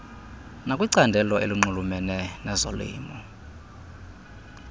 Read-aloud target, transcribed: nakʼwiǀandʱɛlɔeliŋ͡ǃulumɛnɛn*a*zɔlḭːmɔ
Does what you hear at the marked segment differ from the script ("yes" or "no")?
yes